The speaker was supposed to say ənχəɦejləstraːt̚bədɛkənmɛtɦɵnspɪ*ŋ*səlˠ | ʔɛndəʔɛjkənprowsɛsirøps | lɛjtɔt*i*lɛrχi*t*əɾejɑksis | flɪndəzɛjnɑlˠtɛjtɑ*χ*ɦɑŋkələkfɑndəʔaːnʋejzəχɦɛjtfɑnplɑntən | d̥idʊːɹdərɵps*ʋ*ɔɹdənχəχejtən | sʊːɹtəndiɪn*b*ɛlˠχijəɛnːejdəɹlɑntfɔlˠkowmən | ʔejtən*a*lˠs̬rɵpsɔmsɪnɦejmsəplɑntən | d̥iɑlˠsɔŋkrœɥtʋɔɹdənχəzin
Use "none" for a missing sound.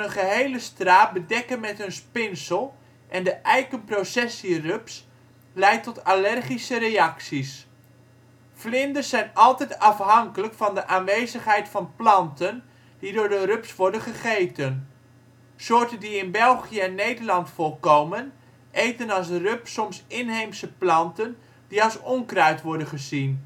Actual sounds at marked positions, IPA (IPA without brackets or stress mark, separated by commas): n, a, s, f, ʋ, b, ɑ